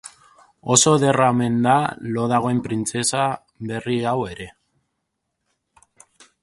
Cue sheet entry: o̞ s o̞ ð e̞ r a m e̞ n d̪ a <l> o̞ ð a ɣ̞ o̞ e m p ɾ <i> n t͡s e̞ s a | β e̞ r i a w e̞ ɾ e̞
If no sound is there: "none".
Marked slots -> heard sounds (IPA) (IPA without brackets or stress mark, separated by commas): l, i